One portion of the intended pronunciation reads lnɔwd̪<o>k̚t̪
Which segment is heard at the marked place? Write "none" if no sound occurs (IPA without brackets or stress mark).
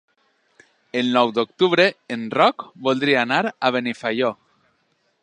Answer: o